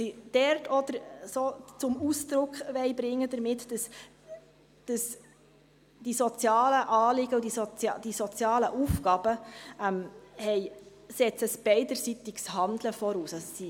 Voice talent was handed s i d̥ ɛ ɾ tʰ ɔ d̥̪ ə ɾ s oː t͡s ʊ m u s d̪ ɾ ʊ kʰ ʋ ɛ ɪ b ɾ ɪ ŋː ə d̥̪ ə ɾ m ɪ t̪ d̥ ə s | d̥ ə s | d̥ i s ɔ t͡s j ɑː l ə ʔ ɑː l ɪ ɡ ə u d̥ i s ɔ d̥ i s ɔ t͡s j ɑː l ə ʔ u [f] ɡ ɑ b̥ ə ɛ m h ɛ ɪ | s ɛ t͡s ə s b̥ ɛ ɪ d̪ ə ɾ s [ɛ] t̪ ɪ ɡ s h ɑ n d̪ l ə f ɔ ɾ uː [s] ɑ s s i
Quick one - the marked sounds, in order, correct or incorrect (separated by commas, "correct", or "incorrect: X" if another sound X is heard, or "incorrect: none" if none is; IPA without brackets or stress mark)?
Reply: correct, incorrect: i, correct